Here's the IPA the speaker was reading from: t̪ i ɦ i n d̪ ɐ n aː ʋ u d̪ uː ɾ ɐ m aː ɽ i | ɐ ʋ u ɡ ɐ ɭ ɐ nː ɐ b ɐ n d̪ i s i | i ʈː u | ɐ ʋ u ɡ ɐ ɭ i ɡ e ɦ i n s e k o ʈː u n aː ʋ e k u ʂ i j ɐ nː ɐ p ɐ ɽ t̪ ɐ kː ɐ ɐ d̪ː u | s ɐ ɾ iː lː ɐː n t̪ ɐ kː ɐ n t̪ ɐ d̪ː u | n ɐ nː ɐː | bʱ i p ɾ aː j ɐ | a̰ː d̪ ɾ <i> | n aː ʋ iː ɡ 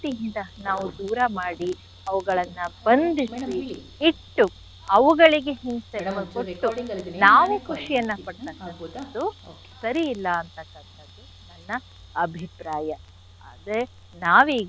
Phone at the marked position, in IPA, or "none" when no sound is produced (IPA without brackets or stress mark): e